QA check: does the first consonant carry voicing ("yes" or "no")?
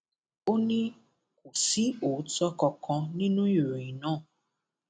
yes